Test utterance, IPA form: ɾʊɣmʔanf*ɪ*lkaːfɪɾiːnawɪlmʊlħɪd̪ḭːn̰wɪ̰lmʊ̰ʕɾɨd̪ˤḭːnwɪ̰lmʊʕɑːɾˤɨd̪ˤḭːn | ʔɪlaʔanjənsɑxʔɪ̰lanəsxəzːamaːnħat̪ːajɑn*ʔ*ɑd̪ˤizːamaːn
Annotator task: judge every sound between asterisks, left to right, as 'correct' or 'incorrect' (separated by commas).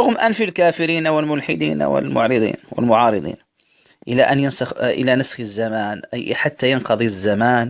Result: incorrect, incorrect